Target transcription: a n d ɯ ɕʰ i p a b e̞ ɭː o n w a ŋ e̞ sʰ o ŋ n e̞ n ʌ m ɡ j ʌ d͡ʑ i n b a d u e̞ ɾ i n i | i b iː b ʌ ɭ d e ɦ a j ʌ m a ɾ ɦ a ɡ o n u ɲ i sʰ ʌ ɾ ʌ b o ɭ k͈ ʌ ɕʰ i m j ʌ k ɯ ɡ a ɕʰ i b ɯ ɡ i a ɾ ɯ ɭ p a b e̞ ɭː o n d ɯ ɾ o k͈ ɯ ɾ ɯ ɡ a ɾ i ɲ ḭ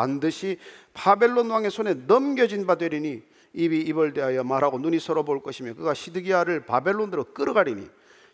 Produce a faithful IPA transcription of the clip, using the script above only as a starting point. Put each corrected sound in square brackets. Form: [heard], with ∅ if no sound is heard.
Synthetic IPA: a n d ɯ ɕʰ i p a b e̞ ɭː o n w a ŋ e̞ sʰ o [∅] n e̞ n ʌ m ɡ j ʌ d͡ʑ i n b a d [w] e̞ ɾ i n i | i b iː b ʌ ɭ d e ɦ a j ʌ m a ɾ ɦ a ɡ o n u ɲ i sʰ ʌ ɾ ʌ b o ɭ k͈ ʌ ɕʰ i m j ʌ k ɯ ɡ a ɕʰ i [d] ɯ ɡ i a ɾ ɯ ɭ p a b e̞ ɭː o n d ɯ ɾ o k͈ ɯ ɾ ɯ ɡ a ɾ i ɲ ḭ